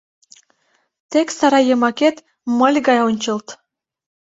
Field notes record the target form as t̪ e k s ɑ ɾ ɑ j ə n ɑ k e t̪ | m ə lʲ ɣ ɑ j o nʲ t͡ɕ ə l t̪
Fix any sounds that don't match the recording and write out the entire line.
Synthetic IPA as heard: t̪ e k s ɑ ɾ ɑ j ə m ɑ k e t̪ | m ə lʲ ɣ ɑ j o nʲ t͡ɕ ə l t̪